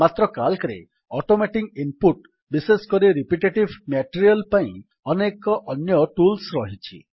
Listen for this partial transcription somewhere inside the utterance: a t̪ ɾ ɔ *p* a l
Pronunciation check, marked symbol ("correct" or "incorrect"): incorrect